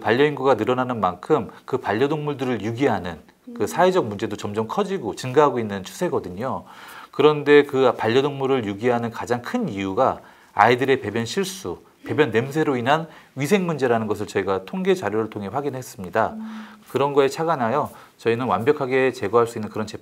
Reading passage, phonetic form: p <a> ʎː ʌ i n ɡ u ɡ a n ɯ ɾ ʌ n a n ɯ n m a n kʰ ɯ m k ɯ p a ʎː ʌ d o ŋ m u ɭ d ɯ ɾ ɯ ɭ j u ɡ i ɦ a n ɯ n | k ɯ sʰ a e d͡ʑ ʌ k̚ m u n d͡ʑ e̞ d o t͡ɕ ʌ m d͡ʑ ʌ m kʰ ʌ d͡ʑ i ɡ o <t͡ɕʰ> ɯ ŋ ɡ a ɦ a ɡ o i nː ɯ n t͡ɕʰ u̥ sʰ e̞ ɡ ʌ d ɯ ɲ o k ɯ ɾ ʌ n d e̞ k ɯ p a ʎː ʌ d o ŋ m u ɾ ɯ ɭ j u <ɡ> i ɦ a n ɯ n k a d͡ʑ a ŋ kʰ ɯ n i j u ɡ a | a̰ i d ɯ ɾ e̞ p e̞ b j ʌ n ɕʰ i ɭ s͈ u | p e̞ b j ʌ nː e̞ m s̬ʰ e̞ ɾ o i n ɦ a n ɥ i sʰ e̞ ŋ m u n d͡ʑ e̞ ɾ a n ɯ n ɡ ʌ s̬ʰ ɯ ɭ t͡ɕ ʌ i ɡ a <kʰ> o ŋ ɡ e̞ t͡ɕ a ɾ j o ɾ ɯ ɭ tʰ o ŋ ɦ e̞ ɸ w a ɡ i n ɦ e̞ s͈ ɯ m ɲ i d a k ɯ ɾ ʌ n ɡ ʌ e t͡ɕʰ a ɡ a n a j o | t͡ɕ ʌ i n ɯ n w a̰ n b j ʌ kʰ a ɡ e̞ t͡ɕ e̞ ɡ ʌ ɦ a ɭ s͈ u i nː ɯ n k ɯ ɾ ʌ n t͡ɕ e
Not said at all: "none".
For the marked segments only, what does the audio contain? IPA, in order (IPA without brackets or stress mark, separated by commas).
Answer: a, t͡ɕ, ɡ, tʰ